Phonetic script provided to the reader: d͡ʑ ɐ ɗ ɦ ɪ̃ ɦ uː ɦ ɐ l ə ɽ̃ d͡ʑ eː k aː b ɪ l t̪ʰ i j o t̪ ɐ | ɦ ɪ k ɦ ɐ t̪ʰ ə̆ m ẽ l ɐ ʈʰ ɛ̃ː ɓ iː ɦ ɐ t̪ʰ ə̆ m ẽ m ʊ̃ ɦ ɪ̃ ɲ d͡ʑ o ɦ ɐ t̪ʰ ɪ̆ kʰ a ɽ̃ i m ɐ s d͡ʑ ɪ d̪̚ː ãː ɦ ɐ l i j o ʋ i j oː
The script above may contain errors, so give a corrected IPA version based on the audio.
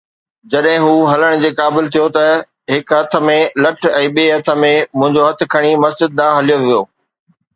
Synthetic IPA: d͡ʑ ɐ ɗ ɦ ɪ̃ ɦ uː ɦ ɐ l ə ɽ̃ d͡ʑ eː k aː b ɪ l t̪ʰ i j o t̪ ɐ | ɦ ɪ k ɦ ɐ t̪ʰ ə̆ m ẽ l ɐ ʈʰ ɛ̃ː ɓ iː ɦ ɐ t̪ʰ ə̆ m ẽ m ʊ̃ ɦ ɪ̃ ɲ d͡ʑ o ɦ ɐ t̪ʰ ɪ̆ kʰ ɐ ɽ̃ i m ɐ s d͡ʑ ɪ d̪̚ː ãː ɦ ɐ l i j o ʋ i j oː